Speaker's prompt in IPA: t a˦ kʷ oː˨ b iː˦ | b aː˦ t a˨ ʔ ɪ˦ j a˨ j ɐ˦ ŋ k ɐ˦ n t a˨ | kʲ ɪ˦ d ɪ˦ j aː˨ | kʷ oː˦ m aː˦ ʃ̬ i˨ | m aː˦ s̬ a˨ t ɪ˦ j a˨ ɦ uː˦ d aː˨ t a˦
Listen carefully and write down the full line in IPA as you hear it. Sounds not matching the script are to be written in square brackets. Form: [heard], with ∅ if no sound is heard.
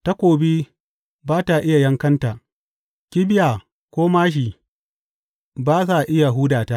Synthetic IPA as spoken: t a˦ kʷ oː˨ b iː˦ | b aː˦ t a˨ ʔ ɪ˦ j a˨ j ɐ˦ ŋ k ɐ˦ n t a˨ | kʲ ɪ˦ [b] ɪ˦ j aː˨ | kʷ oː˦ m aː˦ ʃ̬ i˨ | [b] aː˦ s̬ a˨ [ʔ] ɪ˦ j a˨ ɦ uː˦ d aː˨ t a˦

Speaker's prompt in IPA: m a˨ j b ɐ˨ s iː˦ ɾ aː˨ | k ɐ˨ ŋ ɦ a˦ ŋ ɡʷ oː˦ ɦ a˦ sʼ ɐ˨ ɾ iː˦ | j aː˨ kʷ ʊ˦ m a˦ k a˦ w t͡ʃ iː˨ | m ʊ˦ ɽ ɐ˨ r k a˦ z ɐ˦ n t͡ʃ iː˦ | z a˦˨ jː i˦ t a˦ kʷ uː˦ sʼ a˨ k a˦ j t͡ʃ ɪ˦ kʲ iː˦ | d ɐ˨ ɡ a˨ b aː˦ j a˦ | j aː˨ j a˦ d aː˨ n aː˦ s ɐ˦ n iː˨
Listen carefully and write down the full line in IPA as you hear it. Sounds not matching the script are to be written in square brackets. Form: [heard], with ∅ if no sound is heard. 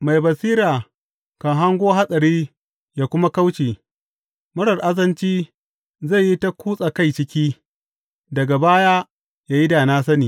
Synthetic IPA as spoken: m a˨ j b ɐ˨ s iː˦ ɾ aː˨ | k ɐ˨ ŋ ɦ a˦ ŋ ɡʷ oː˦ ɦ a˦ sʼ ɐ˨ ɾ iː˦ | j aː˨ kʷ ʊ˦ m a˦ k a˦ w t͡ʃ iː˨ | m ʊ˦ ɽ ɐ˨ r [ʔ] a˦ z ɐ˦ n t͡ʃ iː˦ | z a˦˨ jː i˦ t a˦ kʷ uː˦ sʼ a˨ k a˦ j t͡ʃ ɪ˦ kʲ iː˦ | d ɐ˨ ɡ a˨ b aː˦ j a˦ | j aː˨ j [i˦] d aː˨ n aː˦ s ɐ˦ n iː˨

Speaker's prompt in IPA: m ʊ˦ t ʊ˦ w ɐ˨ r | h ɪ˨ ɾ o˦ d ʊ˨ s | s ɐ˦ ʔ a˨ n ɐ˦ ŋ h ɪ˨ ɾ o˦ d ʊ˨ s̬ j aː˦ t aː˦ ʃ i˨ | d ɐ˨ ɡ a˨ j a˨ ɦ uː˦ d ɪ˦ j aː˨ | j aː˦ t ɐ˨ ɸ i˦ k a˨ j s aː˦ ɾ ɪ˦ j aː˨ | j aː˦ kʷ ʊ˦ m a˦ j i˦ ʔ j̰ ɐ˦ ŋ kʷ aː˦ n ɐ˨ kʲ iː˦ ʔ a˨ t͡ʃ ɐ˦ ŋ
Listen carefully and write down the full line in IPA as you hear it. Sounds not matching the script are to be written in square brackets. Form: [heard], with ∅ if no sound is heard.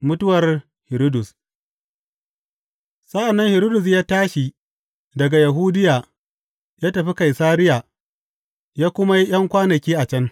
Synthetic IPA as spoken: m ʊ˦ t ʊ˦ w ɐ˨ r | h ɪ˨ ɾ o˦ d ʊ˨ s | s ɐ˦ ʔ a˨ [nː] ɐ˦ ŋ h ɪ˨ ɾ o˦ d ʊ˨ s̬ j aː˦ t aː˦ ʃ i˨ | d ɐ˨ ɡ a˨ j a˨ ɦ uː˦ d ɪ˦ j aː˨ | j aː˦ t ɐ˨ ɸ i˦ k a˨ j s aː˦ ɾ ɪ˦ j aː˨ | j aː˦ kʷ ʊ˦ m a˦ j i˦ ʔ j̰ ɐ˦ ŋ kʷ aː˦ n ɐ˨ kʲ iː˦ ʔ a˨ t͡ʃ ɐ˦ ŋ

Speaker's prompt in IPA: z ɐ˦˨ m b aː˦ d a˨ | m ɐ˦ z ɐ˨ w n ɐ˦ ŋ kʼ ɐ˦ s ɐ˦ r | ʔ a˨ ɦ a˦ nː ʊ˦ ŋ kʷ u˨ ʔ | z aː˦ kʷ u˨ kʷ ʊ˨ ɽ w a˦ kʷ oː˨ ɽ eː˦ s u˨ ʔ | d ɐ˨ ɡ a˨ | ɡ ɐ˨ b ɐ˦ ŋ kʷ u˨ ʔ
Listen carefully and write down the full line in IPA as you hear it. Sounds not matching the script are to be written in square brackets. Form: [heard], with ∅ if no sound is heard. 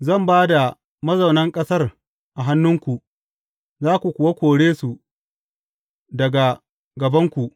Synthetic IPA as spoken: z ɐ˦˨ m b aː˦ d a˨ | m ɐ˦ z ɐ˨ w n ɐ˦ ŋ kʼ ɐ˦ s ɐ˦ r | ʔ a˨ ɦ a˦ nː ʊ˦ ŋ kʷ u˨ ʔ | z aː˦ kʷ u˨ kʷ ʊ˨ [∅] w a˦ kʷ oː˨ ɽ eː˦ s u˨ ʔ | d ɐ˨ ɡ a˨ | ɡ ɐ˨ b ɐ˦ ŋ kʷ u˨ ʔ

